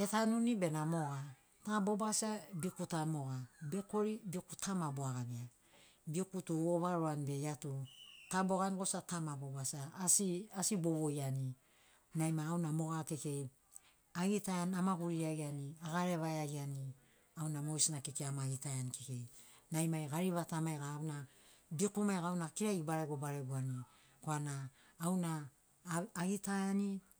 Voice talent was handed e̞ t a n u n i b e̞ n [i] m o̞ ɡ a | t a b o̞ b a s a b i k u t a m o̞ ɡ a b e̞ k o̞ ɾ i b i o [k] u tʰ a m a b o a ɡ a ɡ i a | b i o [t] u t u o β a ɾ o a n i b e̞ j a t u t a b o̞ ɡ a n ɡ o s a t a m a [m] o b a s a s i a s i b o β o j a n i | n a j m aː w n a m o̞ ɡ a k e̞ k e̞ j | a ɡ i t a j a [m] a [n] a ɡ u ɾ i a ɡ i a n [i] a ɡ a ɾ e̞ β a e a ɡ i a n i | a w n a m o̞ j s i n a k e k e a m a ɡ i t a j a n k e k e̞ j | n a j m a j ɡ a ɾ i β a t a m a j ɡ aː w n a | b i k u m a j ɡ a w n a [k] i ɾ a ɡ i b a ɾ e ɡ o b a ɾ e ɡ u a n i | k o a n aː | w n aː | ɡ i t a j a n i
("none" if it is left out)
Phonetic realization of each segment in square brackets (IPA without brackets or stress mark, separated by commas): a, k, k, b, n, m, i, k